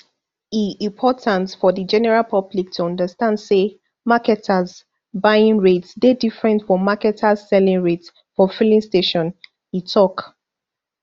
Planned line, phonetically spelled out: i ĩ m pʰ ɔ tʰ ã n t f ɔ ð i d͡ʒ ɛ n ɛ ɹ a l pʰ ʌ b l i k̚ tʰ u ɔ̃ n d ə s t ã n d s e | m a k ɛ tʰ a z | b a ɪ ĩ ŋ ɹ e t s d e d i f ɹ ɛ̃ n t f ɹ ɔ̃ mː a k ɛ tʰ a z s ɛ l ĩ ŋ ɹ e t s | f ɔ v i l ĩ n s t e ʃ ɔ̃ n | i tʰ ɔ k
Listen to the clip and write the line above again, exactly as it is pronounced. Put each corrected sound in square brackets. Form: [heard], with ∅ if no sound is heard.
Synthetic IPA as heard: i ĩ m pʰ ɔ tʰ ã n t f ɔ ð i d͡ʒ ɛ n ɛ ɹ a l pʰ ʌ b l i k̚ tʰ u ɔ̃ n d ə s t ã n d s e | m a k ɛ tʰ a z | b a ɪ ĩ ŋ ɹ e t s d e d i f ɹ ɛ̃ n t f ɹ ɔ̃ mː a k ɛ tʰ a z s ɛ l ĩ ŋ ɹ e t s | f ɔ [f] i l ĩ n s t e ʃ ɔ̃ n | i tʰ ɔ k